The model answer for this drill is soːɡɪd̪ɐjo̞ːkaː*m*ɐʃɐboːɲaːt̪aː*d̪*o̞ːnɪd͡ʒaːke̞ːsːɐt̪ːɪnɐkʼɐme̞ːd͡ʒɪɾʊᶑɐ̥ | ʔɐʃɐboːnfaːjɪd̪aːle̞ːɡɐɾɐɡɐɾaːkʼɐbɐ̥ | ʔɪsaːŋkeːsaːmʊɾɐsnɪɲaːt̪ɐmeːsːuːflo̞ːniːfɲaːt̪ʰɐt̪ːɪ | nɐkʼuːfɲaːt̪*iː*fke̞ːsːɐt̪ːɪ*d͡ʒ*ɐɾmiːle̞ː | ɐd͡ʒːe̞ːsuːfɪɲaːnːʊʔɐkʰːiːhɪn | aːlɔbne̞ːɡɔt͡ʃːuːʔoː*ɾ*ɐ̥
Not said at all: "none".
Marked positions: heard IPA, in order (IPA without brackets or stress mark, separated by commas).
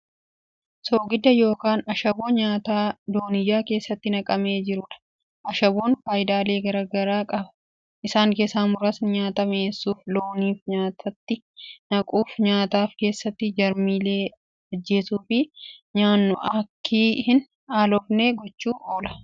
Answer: n, d̪, aː, d͡ʒ, l